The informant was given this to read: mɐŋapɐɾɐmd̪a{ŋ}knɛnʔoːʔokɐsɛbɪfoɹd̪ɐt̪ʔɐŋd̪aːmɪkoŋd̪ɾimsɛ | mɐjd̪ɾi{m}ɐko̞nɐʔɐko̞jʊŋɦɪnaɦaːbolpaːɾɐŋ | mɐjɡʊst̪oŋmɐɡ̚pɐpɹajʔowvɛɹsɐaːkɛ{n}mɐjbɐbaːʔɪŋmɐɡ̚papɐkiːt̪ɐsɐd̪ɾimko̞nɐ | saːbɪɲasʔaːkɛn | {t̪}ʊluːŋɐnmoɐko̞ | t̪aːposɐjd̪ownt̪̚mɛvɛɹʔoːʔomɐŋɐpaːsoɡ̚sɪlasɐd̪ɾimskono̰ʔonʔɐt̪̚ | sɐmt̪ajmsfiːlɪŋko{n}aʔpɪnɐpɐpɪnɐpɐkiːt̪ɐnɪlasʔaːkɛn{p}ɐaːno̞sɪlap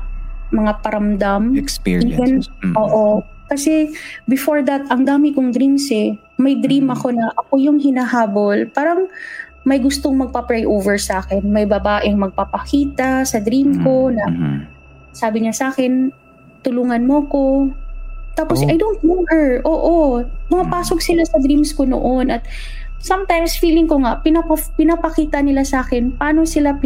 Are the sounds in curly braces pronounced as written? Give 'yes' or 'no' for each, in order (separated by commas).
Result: no, yes, yes, yes, no, yes